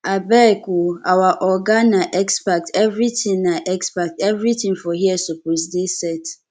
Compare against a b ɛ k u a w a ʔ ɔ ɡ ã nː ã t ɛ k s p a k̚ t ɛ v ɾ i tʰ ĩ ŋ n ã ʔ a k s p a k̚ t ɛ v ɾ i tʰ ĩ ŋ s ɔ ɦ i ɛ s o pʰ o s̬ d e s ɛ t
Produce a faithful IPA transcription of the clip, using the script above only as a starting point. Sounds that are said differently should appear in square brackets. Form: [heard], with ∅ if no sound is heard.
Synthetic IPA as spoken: a b ɛ k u a w a ʔ ɔ ɡ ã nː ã [ʔ] ɛ k s p a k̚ t ɛ v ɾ i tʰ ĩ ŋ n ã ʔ [ɛ] k s p a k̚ t ɛ v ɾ i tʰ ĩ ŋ [f] ɔ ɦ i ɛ s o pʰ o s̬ d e s ɛ t